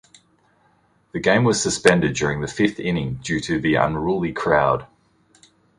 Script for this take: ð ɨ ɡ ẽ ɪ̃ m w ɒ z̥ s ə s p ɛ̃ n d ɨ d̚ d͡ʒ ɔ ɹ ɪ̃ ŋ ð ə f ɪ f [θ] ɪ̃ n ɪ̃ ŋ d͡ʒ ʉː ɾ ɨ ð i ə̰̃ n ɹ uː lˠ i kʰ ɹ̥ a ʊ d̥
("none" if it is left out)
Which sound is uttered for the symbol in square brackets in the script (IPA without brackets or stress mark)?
θ